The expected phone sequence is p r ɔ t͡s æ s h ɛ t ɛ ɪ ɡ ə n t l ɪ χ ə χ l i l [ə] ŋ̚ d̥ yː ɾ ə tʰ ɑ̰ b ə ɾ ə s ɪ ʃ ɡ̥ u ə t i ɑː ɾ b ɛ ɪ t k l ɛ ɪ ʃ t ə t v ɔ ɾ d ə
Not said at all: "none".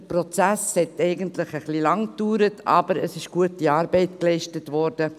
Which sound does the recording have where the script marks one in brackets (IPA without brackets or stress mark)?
ɑ